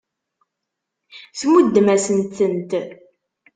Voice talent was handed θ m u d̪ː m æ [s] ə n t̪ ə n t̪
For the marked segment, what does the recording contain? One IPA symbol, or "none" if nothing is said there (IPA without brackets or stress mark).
s